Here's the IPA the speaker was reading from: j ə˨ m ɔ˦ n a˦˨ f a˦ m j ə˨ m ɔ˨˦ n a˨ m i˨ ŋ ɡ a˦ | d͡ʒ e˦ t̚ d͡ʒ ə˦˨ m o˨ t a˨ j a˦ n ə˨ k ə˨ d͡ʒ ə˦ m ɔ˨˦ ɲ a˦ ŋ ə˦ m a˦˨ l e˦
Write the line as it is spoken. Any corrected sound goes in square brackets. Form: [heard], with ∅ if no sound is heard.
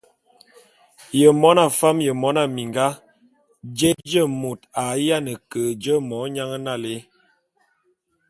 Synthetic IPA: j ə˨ m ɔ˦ n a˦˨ f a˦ m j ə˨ m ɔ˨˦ n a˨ m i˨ ŋ ɡ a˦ | d͡ʒ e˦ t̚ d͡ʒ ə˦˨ m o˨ t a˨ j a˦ n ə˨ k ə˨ d͡ʒ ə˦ m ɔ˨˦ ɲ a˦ ŋ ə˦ [n] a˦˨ l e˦